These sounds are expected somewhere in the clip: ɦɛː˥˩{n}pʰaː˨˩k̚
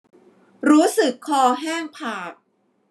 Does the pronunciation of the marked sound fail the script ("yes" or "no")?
yes